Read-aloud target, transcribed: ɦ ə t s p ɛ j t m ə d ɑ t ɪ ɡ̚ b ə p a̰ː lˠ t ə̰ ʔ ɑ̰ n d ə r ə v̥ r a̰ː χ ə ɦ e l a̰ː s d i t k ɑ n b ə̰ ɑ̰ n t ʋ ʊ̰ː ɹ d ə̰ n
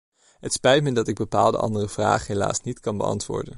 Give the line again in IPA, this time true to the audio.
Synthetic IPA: ɦ ə t s p ɛ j t m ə d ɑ t ɪ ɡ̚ b ə p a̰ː lˠ d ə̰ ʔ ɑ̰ n d ə r ə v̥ r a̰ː χ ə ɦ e l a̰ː s n i t k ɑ n b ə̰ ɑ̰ n t ʋ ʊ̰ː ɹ d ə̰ n